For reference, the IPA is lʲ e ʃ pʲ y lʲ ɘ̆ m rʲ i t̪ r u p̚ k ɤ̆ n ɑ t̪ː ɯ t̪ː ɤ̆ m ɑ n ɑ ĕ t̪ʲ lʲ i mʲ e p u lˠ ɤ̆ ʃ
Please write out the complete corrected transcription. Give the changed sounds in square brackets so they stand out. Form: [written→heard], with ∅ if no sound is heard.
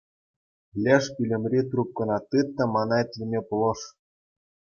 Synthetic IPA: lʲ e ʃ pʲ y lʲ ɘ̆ m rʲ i t̪ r u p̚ k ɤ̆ n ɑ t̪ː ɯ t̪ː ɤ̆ m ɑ n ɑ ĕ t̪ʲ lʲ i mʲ e p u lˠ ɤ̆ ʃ